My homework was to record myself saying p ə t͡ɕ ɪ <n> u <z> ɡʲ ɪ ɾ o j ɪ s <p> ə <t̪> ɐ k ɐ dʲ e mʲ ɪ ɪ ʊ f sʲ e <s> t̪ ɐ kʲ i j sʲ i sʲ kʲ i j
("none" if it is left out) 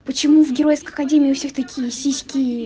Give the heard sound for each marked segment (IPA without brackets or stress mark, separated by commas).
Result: m, v, k, none, x